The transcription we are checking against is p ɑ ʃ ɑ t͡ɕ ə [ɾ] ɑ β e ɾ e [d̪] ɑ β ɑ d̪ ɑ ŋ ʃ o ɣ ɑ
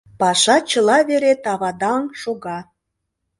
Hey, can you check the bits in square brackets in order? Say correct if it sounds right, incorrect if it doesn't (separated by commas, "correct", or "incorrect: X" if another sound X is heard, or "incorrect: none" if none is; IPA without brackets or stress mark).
incorrect: l, incorrect: t̪